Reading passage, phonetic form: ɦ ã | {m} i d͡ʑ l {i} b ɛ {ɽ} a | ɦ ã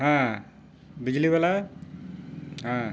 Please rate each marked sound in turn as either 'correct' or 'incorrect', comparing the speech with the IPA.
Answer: incorrect: b, correct, incorrect: l

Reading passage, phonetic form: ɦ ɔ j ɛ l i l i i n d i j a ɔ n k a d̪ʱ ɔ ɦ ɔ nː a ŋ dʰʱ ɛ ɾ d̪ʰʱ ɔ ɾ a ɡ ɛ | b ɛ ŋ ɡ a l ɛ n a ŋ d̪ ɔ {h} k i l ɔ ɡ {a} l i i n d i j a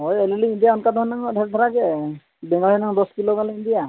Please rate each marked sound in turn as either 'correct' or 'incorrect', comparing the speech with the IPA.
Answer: incorrect: s, correct

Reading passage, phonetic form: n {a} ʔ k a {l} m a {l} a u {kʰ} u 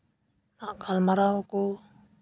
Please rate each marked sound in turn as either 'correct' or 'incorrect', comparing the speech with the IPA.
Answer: correct, correct, incorrect: ɾ, incorrect: k

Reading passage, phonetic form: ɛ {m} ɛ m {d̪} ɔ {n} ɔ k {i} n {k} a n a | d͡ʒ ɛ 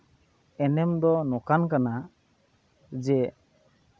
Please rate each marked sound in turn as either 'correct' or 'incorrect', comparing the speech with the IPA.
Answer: incorrect: n, correct, correct, incorrect: a, correct

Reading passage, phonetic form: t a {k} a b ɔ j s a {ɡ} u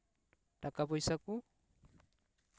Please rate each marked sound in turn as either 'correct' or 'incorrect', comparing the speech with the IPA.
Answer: correct, incorrect: k

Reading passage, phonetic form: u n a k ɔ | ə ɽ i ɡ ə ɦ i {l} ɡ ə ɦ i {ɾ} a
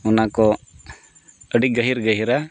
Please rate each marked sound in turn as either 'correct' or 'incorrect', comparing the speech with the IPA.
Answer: incorrect: ɾ, correct

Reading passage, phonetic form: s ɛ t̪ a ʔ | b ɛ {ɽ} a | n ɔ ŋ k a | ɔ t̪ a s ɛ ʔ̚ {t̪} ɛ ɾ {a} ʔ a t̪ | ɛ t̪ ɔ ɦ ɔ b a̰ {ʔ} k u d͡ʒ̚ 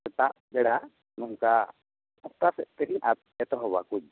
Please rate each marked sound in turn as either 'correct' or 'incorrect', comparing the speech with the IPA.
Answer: correct, correct, incorrect: i, incorrect: none

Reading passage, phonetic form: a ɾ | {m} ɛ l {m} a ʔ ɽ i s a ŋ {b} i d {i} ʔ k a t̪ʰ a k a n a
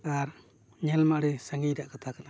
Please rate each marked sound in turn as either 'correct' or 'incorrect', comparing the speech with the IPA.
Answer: incorrect: ɲ, correct, incorrect: ɡ, incorrect: a

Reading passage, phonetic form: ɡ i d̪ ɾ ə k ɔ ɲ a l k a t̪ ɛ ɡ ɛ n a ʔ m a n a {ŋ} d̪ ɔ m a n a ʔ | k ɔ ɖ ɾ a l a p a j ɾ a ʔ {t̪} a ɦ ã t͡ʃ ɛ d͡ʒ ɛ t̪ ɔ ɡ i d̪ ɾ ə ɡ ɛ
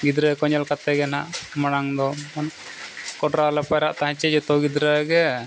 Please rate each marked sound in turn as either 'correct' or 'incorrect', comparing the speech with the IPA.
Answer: correct, correct

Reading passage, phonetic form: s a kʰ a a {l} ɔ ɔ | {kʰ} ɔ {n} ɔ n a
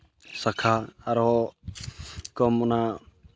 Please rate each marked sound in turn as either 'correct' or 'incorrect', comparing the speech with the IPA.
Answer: incorrect: ɾ, incorrect: k, incorrect: m

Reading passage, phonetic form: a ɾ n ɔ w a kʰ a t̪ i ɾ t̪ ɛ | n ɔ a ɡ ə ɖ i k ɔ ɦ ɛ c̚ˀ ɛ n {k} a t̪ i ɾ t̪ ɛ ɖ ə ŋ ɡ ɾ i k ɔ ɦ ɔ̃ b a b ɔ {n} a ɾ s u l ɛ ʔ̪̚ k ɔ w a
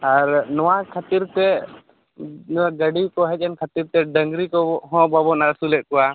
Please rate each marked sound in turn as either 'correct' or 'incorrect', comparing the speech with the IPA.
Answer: incorrect: kʰ, correct

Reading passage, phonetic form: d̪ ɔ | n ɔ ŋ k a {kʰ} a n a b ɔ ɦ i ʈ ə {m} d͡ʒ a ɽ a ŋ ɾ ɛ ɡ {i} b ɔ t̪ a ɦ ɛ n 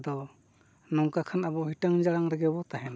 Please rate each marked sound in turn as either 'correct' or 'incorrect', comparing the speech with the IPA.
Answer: correct, incorrect: ŋ, incorrect: ɛ

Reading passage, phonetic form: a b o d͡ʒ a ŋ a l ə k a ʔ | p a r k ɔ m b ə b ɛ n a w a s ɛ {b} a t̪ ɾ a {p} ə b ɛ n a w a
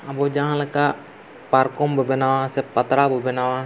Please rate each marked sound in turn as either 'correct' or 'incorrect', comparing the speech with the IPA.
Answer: incorrect: p, incorrect: b

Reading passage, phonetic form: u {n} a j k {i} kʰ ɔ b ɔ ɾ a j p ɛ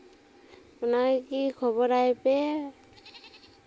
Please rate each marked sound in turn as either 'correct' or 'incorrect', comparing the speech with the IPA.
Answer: correct, correct

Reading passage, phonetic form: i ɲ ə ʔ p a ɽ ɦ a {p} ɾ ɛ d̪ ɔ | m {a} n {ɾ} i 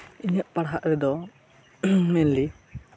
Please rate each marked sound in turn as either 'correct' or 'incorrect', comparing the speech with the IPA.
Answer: incorrect: ʔ, incorrect: ɛ, incorrect: l

